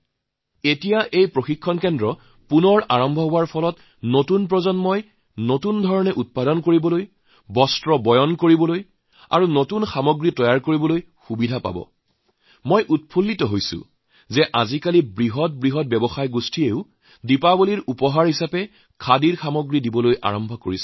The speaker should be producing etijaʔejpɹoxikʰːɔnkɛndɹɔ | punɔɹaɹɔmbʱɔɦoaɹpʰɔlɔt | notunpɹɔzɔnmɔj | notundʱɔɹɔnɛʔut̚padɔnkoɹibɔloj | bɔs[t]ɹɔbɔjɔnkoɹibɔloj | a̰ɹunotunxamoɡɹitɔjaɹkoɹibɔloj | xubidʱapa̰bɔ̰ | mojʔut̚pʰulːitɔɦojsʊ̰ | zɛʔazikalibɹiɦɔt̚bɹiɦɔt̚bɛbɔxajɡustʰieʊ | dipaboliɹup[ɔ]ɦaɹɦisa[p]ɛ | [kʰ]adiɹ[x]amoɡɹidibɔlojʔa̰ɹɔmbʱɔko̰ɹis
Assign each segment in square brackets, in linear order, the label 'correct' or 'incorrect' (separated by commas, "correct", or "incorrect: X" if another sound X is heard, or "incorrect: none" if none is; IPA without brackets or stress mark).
correct, correct, correct, correct, correct